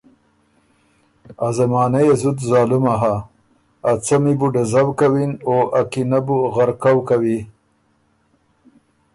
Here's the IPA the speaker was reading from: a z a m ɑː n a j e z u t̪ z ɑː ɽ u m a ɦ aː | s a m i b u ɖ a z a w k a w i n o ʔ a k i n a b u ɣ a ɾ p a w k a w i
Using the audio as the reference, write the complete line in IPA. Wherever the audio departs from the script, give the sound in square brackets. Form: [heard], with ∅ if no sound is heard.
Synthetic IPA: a z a m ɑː n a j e z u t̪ z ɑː [l] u m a ɦ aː | [t͡s] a m i b u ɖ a z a w k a w i n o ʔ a k i n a b u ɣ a ɾ [k] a w k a w i

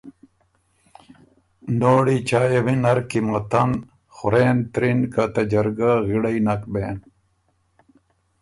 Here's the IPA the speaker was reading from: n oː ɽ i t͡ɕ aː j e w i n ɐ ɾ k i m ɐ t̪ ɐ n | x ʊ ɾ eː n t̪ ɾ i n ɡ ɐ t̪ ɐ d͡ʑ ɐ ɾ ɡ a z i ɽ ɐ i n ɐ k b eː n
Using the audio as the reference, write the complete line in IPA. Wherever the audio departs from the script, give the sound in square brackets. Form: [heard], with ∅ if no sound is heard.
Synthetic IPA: n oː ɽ i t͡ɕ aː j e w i n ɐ ɾ k i m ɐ t̪ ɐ n | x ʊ ɾ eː n t̪ ɾ i n [k] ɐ t̪ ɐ d͡ʑ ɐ ɾ ɡ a [ɣ] i ɽ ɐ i n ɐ k b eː n

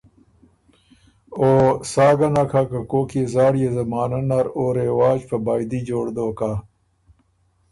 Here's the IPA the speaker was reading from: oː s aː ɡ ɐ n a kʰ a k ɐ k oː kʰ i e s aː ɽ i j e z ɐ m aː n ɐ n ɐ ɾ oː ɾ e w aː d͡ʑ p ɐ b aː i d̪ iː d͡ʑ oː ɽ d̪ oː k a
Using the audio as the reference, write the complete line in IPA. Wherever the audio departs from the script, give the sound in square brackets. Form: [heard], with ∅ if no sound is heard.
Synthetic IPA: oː s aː ɡ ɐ n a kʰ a k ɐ k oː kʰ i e [z] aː ɽ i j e z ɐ m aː n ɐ n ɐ ɾ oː ɾ e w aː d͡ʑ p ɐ b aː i d̪ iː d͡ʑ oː ɽ d̪ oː k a

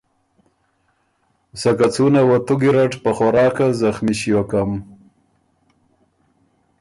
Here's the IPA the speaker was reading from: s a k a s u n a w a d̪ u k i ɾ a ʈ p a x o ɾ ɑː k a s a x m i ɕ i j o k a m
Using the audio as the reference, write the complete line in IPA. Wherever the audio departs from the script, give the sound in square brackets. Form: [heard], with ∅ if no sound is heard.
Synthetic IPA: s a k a [t͡s] u n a w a [t̪] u [ɡ] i ɾ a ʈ p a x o ɾ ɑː k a [z] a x m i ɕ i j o k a m

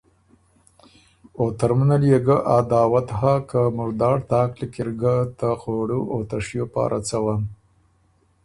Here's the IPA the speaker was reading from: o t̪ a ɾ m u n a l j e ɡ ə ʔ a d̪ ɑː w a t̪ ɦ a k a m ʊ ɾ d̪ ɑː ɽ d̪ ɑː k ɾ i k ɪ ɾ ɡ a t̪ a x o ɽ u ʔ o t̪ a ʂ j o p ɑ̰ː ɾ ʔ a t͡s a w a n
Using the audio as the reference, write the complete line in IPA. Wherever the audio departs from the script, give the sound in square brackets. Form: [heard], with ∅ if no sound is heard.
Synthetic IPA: o t̪ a ɾ m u n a l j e ɡ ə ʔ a d̪ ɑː w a t̪ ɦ a k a m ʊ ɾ d̪ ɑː ɽ [t̪] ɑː k [l] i k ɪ ɾ ɡ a t̪ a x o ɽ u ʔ o t̪ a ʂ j o p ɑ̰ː ɾ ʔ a t͡s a w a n

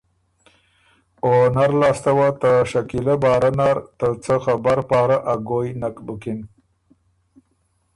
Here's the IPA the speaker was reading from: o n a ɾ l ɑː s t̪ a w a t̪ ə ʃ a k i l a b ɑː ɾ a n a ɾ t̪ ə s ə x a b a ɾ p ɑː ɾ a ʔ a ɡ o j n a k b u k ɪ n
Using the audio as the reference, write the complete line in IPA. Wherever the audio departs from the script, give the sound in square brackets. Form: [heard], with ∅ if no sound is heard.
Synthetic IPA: o n a ɾ l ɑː s t̪ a w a t̪ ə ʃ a k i l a b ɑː ɾ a n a ɾ t̪ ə [t͡s] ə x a b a ɾ p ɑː ɾ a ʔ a ɡ o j n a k b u k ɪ n

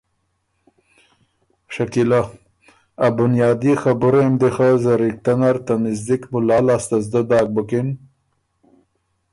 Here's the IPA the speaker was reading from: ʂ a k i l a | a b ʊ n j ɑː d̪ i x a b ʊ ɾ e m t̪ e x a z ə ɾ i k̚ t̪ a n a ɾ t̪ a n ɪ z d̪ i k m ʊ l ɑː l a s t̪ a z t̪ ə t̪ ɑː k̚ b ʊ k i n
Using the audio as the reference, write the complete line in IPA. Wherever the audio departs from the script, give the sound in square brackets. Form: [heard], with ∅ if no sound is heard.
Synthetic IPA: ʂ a k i l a | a b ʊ n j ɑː d̪ i x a b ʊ ɾ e m [d̪] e x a z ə ɾ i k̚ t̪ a n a ɾ t̪ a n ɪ z d̪ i k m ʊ l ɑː l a s t̪ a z [d̪] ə [d̪] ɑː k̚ b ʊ k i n

